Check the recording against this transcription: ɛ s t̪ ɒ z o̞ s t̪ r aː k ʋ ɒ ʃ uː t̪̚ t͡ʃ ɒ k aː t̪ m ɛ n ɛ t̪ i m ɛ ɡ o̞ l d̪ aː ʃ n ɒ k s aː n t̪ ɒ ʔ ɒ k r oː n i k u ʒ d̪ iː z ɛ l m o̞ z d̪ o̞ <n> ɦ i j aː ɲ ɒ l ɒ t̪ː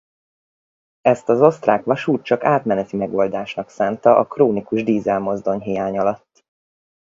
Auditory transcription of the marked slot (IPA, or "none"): ɲ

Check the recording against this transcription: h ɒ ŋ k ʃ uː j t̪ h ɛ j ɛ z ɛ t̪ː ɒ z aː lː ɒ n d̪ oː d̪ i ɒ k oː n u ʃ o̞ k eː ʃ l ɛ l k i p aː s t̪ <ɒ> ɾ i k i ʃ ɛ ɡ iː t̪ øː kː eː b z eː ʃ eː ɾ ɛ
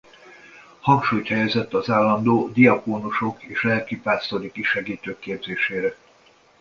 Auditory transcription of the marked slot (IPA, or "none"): o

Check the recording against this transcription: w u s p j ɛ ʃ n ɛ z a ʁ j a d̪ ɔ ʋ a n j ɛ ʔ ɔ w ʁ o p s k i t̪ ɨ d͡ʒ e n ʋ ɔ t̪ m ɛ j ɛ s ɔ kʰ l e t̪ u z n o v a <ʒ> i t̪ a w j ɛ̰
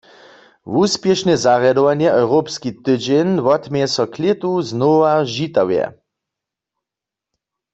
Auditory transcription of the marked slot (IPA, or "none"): ʒ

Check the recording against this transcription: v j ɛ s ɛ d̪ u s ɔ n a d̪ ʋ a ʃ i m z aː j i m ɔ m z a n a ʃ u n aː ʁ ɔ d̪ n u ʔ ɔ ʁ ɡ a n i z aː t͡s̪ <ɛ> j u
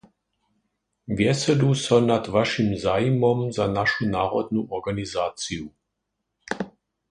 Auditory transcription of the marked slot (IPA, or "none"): i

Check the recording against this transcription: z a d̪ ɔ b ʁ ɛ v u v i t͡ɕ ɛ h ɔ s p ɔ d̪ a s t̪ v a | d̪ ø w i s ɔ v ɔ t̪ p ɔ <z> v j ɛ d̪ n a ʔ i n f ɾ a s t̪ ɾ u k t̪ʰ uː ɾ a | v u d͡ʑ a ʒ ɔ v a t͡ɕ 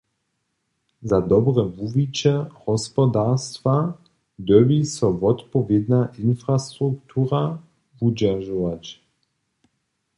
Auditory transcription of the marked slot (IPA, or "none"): none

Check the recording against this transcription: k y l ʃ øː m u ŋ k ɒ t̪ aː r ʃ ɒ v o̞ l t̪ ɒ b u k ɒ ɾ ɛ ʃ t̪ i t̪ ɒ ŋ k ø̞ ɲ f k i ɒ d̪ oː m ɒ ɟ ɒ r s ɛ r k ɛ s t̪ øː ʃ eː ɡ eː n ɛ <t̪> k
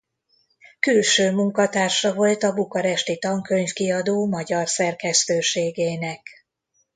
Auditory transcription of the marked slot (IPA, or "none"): none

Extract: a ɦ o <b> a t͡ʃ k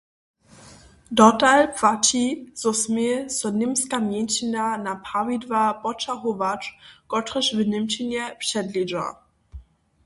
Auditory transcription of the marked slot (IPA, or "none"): v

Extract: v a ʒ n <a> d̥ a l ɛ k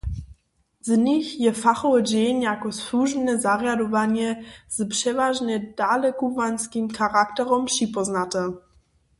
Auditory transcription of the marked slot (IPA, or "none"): ɛ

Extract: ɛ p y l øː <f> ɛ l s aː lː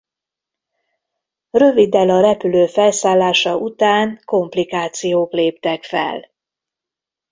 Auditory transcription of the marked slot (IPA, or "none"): f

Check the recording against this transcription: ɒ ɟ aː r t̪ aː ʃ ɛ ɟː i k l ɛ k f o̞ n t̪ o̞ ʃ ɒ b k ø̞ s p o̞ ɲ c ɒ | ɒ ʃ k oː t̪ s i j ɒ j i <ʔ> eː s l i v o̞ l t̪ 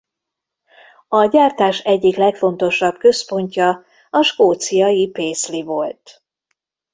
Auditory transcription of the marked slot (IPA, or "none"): p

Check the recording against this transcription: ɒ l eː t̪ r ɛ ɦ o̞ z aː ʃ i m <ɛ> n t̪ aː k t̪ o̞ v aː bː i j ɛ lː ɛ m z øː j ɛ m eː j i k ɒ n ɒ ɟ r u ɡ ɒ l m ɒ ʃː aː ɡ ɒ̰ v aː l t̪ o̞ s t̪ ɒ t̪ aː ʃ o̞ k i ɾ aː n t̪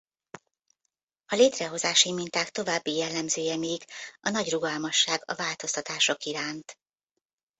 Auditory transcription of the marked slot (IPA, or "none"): i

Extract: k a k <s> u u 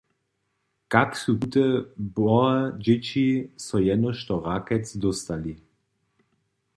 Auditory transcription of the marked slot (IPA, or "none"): s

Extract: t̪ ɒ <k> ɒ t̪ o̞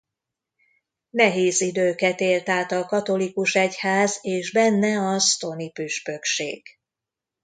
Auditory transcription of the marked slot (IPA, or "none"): k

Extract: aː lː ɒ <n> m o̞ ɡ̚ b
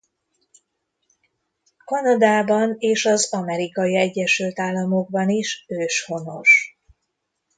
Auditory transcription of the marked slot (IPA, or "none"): none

